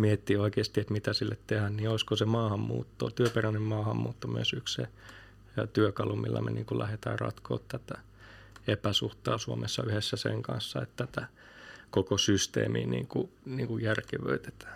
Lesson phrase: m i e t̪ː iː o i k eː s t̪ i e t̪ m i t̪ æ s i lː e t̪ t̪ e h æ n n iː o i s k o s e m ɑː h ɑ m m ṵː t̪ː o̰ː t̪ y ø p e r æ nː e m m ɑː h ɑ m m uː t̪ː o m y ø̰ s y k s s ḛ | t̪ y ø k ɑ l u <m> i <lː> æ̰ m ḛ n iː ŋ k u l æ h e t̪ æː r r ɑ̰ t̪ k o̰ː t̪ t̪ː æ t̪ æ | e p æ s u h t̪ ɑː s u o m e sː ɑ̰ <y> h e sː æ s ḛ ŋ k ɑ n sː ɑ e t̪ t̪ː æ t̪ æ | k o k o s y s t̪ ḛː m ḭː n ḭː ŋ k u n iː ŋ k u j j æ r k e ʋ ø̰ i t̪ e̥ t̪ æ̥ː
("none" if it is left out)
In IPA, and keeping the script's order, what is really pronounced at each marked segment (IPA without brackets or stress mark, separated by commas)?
m, lː, y